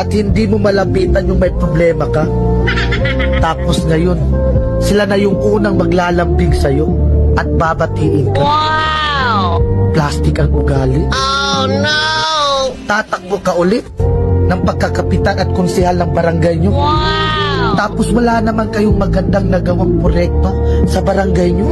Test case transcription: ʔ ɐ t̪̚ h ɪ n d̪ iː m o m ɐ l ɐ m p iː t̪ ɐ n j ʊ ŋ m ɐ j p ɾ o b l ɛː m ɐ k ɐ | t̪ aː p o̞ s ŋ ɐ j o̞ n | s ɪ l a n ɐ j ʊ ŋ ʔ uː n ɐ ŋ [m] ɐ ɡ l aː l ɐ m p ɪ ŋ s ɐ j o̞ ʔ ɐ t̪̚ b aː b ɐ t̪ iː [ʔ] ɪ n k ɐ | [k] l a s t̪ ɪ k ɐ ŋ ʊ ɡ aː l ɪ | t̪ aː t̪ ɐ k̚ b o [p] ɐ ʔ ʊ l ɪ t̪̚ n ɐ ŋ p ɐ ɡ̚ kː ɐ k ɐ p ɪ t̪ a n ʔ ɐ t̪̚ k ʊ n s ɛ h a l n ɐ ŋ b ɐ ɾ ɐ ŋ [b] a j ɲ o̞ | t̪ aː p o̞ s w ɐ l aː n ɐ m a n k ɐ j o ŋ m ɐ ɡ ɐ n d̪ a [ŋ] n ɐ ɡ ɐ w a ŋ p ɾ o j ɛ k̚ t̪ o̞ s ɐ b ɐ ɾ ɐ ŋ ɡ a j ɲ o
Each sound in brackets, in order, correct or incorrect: correct, correct, incorrect: p, incorrect: k, incorrect: ɡ, correct

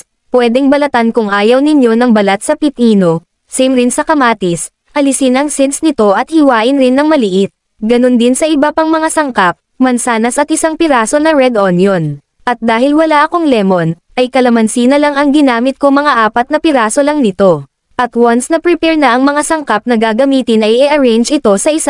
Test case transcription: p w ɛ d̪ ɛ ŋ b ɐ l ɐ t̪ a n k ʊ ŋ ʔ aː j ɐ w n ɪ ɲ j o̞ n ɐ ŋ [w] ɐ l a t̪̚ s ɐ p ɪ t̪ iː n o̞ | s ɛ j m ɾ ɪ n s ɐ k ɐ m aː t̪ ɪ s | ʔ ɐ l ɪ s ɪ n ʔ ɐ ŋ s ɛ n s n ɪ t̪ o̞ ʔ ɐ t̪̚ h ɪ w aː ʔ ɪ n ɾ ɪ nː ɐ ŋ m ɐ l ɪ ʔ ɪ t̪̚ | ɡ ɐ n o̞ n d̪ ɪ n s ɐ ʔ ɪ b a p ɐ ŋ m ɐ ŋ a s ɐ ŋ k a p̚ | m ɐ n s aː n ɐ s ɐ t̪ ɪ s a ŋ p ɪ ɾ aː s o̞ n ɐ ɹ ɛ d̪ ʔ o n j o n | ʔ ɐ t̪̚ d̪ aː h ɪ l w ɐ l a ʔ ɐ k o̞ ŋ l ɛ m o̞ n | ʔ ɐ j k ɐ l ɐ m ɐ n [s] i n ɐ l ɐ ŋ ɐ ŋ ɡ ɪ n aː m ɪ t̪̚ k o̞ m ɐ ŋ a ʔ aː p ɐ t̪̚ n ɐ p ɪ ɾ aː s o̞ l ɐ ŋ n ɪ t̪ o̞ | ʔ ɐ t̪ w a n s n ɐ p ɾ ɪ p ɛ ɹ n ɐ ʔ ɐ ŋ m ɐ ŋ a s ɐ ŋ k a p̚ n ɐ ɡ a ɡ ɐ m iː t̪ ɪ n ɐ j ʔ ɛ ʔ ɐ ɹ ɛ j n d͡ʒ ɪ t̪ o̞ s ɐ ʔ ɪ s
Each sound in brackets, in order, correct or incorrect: incorrect: b, correct

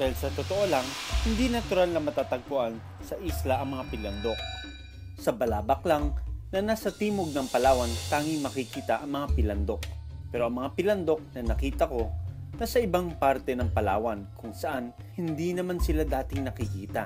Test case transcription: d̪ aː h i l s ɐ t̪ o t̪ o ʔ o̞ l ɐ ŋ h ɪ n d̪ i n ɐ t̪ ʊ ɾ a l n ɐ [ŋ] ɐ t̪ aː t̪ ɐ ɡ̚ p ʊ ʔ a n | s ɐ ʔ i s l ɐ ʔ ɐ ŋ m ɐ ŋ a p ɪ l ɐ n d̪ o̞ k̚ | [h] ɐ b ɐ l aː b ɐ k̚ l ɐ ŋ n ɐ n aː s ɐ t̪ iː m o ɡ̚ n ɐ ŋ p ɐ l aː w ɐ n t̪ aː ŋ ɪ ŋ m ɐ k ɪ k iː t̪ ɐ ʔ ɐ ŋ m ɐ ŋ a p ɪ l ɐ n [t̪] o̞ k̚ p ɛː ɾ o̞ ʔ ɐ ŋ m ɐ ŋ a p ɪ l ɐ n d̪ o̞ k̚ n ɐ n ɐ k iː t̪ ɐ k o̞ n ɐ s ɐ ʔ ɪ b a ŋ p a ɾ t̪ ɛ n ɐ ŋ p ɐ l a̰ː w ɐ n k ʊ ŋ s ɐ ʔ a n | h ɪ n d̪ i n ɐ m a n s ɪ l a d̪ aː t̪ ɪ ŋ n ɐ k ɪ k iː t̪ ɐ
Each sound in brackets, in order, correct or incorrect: incorrect: m, incorrect: s, incorrect: d̪

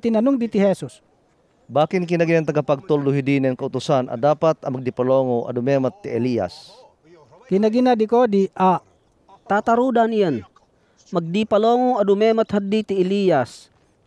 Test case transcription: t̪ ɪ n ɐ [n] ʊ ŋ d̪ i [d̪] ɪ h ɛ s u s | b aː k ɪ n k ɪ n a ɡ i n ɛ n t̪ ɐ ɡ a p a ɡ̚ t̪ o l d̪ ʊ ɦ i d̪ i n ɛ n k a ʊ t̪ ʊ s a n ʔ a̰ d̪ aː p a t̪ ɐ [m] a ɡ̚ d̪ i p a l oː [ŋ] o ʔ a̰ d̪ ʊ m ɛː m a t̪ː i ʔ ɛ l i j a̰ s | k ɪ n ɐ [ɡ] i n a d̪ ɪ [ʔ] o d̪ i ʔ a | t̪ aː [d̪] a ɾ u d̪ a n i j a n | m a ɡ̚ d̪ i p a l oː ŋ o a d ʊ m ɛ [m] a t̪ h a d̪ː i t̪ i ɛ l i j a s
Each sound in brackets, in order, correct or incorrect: correct, incorrect: t̪, correct, correct, correct, incorrect: k, incorrect: t̪, correct

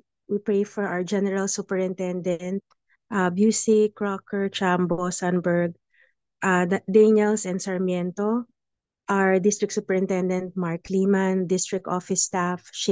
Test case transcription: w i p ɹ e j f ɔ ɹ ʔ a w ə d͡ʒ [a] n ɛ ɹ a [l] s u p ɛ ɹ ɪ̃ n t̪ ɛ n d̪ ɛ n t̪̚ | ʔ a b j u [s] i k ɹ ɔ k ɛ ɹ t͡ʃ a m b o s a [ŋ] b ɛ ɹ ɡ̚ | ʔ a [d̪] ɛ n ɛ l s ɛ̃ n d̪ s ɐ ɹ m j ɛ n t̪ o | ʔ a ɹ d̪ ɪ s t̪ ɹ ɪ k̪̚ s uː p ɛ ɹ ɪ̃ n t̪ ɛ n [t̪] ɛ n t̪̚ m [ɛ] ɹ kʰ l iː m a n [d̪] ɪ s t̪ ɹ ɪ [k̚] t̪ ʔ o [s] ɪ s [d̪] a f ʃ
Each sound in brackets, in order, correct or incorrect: incorrect: ɛ, correct, correct, incorrect: n, correct, incorrect: d̪, incorrect: a, correct, correct, incorrect: f, incorrect: t̪

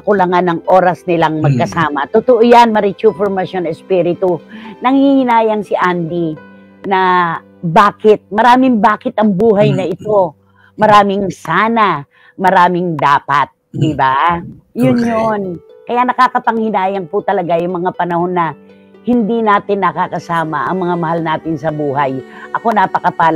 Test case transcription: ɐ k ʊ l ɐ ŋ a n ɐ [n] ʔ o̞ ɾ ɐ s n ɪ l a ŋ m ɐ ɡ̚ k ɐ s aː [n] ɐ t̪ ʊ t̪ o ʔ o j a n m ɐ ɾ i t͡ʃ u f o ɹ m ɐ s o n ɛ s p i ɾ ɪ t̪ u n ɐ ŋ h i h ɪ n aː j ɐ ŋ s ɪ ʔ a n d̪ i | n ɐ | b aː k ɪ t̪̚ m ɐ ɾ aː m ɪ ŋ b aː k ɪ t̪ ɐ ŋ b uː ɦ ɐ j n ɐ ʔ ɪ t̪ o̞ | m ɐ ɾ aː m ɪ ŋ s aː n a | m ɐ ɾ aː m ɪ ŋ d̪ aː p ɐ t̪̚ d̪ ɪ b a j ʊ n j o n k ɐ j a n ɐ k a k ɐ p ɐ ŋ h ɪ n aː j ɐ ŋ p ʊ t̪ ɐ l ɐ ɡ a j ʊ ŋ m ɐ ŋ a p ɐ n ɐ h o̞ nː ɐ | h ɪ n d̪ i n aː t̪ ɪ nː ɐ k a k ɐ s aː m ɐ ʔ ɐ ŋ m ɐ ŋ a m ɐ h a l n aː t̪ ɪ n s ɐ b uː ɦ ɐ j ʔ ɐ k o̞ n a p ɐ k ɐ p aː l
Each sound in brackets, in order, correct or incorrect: incorrect: ŋ, incorrect: m

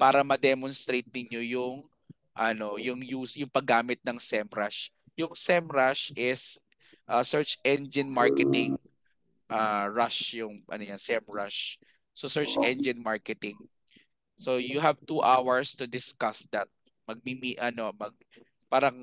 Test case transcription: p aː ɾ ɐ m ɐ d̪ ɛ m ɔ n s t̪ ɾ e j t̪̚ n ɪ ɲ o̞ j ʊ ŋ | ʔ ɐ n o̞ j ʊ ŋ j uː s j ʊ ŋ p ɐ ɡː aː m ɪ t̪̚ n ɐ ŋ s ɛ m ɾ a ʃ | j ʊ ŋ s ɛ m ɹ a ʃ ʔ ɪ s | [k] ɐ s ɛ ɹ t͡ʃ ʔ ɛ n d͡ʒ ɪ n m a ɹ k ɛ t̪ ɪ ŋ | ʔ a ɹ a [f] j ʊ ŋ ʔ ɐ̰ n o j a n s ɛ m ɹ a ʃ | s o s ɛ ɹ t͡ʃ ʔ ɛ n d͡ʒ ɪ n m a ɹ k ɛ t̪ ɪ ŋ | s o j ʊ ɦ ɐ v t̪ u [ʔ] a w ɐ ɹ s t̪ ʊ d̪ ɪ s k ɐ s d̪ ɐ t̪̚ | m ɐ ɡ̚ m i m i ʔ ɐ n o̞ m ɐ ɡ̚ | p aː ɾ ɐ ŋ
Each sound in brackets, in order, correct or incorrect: incorrect: ʔ, incorrect: ʃ, correct

